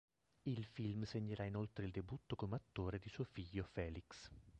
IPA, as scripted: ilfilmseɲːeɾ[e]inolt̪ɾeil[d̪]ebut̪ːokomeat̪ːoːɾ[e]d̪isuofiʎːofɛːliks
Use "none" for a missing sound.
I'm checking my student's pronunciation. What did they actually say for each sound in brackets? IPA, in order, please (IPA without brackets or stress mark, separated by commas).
a, d̪, e